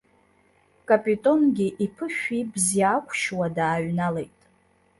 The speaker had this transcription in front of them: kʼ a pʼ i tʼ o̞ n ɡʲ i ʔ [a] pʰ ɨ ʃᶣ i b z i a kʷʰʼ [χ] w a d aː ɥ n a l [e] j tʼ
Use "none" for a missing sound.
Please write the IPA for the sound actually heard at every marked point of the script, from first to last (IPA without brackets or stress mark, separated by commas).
i, ʃ, e